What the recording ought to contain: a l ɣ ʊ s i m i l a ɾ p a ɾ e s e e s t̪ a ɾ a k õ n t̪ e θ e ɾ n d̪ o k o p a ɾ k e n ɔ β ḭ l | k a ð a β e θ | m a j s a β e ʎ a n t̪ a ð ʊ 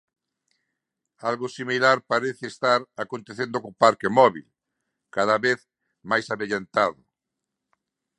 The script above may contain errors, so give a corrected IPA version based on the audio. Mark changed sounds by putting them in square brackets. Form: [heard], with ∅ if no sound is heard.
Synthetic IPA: a l ɣ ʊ s i m i l a ɾ p a ɾ e [θ] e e s t̪ a ɾ a k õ n t̪ e θ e [∅] n d̪ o k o p a ɾ k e [m] ɔ β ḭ l | k a ð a β e θ | m a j s a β e ʎ a n t̪ a ð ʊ